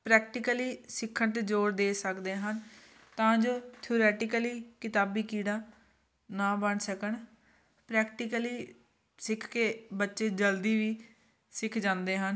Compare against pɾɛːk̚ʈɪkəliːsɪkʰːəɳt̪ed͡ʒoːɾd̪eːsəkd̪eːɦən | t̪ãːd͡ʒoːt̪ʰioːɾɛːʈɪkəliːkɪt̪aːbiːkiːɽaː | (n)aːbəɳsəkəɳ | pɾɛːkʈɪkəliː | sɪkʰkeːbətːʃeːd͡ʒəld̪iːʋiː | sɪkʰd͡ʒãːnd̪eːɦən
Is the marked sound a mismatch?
no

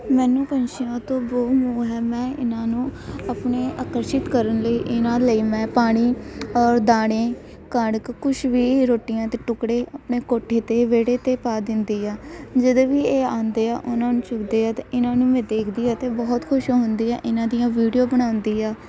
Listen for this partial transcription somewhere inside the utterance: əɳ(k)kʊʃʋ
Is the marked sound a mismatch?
no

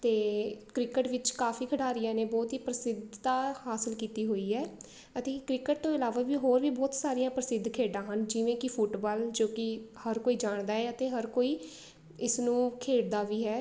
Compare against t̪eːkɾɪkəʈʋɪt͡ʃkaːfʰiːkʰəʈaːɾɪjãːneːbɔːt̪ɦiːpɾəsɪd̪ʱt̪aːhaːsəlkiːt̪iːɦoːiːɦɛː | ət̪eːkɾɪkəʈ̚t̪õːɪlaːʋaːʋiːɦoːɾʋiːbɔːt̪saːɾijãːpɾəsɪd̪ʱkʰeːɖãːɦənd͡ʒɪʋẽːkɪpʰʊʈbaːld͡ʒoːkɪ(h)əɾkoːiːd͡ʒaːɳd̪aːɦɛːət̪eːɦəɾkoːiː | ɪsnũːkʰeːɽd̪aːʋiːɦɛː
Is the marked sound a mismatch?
no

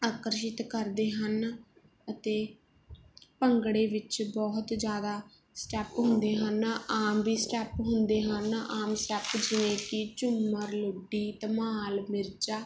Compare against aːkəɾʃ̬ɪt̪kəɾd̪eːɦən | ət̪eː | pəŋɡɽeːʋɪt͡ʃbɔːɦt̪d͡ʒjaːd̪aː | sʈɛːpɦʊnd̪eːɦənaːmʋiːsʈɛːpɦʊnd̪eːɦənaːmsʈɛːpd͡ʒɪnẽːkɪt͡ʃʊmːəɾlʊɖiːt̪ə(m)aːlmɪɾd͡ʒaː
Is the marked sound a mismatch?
no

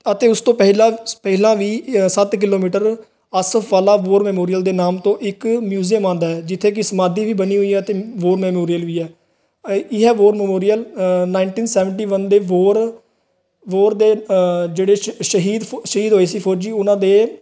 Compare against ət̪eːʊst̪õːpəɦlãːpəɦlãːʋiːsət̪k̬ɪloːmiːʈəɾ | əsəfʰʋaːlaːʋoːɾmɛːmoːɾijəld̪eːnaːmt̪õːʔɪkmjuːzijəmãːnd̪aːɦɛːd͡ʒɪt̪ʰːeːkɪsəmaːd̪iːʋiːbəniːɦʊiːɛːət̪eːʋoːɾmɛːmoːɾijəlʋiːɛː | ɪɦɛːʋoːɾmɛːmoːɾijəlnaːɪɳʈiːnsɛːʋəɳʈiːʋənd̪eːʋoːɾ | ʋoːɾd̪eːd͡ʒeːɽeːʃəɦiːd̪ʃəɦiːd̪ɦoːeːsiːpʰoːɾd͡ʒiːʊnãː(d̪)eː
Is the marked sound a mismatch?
no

